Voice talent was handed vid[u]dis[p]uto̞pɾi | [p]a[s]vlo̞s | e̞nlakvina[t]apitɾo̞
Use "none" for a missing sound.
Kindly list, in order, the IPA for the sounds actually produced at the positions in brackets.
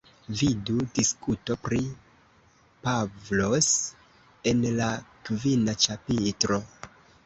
u, k, p, none, t͡ʃ

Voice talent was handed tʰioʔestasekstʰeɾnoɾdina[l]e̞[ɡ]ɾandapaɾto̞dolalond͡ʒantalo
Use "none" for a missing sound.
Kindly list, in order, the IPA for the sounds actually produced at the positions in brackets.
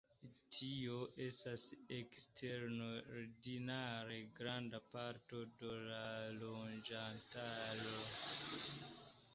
ɾ, ɡ

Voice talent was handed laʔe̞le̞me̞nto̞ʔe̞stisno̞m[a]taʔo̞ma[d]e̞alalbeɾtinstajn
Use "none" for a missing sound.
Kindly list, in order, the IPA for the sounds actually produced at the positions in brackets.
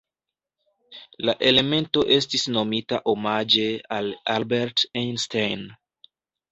i, d͡ʒ

